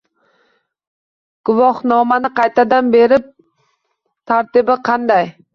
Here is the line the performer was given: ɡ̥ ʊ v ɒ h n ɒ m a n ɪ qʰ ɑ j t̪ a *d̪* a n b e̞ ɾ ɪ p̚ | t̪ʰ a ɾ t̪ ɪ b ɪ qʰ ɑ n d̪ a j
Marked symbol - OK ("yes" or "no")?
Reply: yes